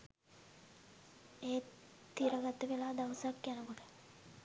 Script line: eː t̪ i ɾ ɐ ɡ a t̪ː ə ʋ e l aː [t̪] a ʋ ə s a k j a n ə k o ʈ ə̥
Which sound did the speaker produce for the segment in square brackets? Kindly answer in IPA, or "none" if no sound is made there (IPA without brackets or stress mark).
d̪